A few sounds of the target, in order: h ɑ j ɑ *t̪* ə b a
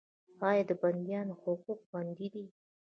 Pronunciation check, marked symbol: incorrect: d̪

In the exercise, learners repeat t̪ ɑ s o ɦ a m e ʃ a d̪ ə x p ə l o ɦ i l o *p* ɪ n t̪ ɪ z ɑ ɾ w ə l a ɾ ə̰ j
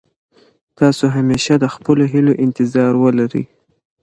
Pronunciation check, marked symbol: incorrect: ʔ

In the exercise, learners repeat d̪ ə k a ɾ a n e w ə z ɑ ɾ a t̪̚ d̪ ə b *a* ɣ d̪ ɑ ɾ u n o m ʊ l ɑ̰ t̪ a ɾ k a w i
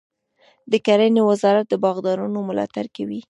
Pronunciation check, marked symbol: incorrect: ɑ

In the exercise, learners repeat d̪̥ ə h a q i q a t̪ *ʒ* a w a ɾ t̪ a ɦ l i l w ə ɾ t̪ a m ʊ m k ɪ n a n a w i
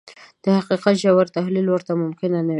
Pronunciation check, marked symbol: correct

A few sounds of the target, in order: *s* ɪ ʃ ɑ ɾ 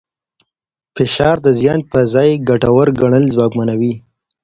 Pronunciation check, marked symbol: incorrect: f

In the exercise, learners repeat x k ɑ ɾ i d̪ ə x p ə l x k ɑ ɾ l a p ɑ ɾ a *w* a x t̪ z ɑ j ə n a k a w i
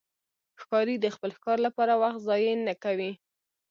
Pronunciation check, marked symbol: correct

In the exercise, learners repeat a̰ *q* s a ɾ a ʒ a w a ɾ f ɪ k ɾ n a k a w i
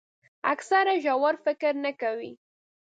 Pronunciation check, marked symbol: incorrect: k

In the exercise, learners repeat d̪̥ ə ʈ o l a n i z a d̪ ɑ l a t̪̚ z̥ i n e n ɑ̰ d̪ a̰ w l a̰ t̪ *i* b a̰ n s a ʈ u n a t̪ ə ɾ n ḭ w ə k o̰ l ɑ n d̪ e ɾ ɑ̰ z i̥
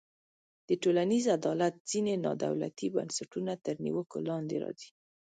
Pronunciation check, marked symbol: correct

